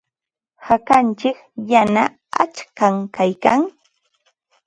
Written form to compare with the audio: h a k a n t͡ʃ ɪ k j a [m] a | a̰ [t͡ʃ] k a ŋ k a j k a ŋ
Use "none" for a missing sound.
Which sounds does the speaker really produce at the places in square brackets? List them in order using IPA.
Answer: n, t͡ʃ

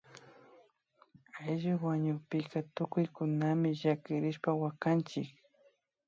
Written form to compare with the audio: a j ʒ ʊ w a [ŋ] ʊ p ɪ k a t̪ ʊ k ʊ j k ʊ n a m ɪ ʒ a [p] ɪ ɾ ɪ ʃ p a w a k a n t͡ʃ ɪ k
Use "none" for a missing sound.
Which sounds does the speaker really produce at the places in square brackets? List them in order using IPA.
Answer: ɲ, k

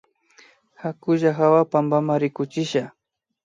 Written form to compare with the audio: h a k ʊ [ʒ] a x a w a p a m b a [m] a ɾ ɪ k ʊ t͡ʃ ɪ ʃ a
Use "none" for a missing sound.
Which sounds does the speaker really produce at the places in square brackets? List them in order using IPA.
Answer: ʒ, m

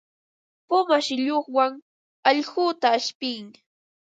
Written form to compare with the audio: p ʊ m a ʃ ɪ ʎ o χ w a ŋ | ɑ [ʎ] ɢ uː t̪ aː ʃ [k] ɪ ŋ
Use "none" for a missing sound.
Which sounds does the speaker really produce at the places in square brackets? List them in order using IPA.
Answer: ʎ, p

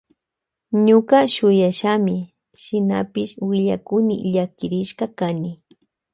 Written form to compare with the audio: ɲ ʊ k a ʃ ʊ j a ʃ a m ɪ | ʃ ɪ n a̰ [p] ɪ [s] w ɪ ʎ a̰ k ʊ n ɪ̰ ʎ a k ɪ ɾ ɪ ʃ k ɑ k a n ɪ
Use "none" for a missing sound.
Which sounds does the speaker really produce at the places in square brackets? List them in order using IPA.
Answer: p, ʃ

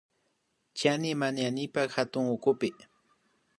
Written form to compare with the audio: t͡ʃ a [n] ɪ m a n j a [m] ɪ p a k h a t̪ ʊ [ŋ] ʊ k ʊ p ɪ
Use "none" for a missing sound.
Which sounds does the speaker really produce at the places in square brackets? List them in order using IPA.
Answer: n, n, ŋ

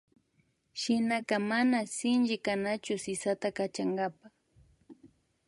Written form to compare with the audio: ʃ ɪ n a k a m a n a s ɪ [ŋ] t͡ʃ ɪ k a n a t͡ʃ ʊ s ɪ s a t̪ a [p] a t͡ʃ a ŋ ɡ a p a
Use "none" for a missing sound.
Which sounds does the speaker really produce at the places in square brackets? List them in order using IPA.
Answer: n, k

